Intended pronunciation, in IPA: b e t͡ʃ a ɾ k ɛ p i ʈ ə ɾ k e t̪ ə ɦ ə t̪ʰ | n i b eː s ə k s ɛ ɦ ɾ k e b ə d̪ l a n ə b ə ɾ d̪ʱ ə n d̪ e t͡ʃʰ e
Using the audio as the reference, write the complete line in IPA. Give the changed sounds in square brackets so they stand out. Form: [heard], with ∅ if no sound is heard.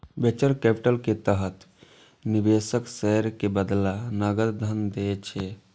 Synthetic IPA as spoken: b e t͡ʃ [ə] ɾ k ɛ p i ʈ ə [l] k e t̪ ə ɦ ə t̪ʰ | n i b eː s ə k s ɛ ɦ ɾ k e b ə d̪ l a n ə [ɡ] ə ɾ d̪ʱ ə n d̪ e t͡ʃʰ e